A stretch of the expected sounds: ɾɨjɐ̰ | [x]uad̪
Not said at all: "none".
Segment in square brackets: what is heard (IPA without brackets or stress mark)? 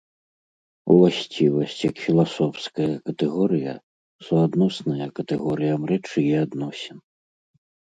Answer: s